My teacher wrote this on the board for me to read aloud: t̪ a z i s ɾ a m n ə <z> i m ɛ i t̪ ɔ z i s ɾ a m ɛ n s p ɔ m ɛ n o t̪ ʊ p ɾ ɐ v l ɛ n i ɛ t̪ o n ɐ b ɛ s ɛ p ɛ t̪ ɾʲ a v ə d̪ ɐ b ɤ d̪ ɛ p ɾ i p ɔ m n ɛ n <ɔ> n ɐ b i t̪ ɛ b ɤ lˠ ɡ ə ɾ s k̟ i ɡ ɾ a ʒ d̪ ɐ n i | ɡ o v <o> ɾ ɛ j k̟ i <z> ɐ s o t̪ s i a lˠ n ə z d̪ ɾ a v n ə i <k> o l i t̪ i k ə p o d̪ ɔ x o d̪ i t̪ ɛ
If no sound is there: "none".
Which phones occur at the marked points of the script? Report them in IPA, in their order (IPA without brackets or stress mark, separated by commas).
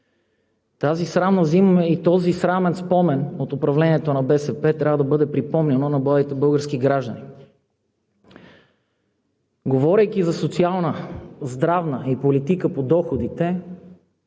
z, o, ɔ, z, p